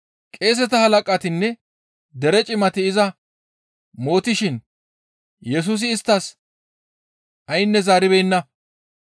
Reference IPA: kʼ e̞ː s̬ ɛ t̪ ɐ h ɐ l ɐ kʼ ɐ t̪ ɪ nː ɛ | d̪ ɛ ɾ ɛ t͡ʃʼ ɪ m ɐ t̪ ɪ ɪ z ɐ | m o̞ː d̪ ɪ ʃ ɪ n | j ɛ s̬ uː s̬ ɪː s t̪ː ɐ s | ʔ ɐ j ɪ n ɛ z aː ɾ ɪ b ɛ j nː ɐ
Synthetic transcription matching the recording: kʼ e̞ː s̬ ɛ t̪ ɐ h ɐ l ɐ kʼ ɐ t̪ ɪ nː ɛ | d̪ ɛ ɾ ɛ t͡ʃʼ ɪ m ɐ t̪ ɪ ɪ z ɐ | m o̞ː t̪ ɪ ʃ ɪ n | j ɛ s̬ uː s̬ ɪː s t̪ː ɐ s | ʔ ɐ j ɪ nː ɛ z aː ɾ ɪ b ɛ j nː ɐ